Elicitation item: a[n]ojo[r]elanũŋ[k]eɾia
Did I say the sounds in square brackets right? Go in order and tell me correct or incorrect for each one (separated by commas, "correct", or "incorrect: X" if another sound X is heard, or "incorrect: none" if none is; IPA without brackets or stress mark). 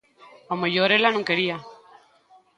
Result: incorrect: m, incorrect: ɾ, correct